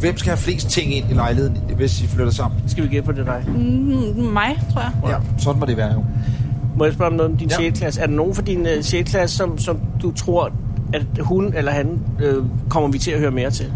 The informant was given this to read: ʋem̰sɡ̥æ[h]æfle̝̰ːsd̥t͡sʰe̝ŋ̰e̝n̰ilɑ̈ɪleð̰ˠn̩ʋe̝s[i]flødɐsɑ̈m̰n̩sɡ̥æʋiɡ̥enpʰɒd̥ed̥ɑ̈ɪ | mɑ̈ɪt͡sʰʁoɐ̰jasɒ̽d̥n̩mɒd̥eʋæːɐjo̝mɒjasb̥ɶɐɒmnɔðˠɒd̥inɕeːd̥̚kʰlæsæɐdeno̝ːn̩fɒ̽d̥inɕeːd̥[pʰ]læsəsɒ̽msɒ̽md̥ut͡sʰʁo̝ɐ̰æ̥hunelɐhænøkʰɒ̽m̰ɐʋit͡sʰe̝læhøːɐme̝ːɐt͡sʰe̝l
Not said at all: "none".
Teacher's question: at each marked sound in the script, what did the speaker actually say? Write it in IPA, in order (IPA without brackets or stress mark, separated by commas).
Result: h, i, kʰ